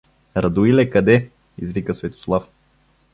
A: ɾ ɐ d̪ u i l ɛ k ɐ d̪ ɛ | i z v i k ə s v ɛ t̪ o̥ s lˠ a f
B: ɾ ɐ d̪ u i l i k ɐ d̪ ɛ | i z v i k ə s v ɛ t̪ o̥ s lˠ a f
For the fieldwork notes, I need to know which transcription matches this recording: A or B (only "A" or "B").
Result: A